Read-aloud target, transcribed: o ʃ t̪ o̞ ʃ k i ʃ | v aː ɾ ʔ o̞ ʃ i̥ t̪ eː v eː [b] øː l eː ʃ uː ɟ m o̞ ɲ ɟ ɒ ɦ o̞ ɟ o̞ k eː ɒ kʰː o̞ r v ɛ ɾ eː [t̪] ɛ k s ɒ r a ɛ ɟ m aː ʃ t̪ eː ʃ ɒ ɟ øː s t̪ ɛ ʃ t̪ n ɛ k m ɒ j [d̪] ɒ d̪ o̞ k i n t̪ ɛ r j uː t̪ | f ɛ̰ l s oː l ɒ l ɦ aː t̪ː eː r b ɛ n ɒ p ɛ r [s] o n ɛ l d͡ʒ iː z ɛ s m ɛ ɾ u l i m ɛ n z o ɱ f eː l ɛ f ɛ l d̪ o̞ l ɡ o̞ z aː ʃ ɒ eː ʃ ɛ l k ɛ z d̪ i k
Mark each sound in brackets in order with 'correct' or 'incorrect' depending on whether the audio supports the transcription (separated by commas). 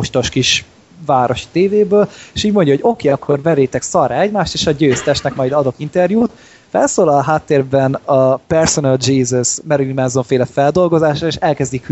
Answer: correct, correct, correct, correct